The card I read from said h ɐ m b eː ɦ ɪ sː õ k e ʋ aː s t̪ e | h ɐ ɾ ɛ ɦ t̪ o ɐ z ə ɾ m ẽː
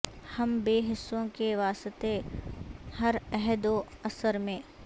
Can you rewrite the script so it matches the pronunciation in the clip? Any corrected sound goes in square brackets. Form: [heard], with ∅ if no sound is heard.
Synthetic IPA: h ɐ m b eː ɦ ɪ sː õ k e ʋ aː s t̪ e | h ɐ ɾ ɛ ɦ [d̪] o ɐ [s] ə ɾ m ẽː